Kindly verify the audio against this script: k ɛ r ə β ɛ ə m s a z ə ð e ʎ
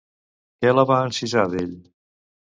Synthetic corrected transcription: k ɛ l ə β a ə n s i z a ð e ʎ

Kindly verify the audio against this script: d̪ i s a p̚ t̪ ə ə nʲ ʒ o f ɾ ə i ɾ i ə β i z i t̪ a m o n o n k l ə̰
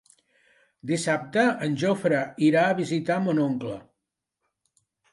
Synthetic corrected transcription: d̪ i s a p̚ t̪ ə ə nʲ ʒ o f ɾ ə i ɾ a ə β i z i t̪ a m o n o ŋ k l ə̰

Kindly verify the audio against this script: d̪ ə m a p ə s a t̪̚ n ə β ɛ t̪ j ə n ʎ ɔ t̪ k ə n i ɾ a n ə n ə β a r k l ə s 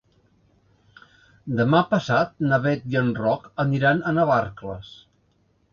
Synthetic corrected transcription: d̪ ə m a p ə s a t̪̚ n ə β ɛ t̪ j ə n r ɔ k ə n i ɾ a n ə n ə β a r k l ə s

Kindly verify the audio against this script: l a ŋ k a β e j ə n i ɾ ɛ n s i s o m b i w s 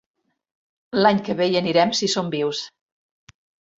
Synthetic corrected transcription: l a ɲ k ə β e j ə n i ɾ ɛ m s i s o m b i w s

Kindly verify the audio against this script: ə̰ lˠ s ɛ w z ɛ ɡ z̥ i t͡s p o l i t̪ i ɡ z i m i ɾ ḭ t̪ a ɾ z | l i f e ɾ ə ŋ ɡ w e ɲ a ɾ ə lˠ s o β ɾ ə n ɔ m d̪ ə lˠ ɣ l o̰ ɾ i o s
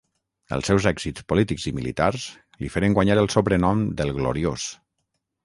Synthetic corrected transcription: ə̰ lˠ s ɛ w z ɛ ɡ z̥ i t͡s p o l i t̪ i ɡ z i m i l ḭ t̪ a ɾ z | l i f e ɾ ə ŋ ɡ w a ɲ a ɾ ə lˠ s o β ɾ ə n ɔ m d̪ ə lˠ ɣ l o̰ ɾ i o s

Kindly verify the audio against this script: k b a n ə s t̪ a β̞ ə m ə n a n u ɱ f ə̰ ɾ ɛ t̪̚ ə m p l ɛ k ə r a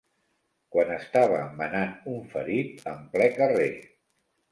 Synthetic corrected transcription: k w a n ə s t̪ a β̞ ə m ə n a n u ɱ f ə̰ ɾ i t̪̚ ə m p l ɛ k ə r e

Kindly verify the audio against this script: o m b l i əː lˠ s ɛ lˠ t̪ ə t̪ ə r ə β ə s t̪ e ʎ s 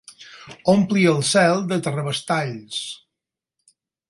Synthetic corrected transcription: o m p l i ə lˠ s ɛ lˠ d̪ ə t̪ ə r ə β ə s t̪ a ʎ s

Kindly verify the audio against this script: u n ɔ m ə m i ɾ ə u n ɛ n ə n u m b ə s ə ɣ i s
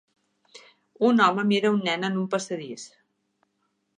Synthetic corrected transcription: u n ɔ m ə m i ɾ ə u nː ɛ n ə n u m p ə s ə ð i s

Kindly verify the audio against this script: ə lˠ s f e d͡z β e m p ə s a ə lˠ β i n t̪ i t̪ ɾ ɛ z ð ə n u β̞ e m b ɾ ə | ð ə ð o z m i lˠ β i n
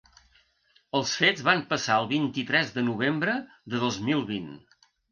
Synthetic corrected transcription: ə lˠ s f e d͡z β a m p ə s a ə lˠ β i n t̪ i t̪ ɾ ɛ z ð ə n u β̞ e m b ɾ ə | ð ə ð o z m i lˠ β i n

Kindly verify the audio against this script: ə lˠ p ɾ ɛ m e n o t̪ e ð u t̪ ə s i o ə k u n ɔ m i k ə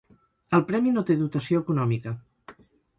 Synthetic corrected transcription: ə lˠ p ɾ ɛ m i n o t̪ e ð u t̪ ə s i o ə k u n ɔ m i k ə

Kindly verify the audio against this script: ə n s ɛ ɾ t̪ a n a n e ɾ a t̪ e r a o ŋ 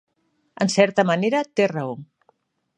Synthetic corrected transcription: ə n s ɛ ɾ t̪ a m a n e ɾ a t̪ e r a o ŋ

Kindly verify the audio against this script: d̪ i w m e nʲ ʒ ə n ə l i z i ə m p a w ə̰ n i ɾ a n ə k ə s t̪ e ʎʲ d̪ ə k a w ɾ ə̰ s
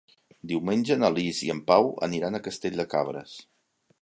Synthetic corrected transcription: d̪ i w m e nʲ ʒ ə n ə l i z i ə m p a w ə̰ n i ɾ a n ə k ə s t̪ e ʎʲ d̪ ə k a β ɾ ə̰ s

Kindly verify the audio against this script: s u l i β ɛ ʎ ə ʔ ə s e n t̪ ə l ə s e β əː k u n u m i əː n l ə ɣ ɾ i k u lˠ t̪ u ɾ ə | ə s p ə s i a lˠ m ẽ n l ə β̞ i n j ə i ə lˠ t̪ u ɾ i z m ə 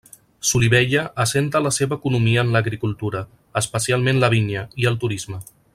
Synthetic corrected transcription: s u l i β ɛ ʎ ə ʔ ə s e n t̪ ə l ə s e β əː k u n u m i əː n l ə ɣ ɾ i k u lˠ t̪ u ɾ ə | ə s p ə s i a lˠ m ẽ n l ə β̞ i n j ə i ə lˠ t̪ u ɾ i z m ə

